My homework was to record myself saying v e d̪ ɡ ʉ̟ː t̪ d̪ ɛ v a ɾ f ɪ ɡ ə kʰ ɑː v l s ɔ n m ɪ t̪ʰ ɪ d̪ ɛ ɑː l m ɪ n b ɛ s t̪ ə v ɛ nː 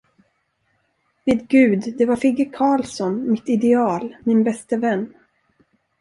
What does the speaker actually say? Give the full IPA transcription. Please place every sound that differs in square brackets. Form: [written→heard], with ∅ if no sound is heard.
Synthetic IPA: v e d̪ ɡ ʉ̟ː [t̪→d̪] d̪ ɛ v a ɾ f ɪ ɡ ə kʰ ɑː [v→∅] l s ɔ n m ɪ [t̪ʰ→t̪] ɪ d̪ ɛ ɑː l m ɪ n b ɛ s t̪ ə v ɛ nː